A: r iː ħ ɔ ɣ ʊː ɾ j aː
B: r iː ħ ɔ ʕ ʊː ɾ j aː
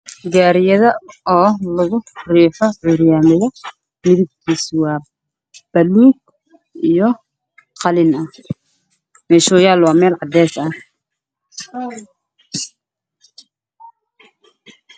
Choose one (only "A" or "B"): B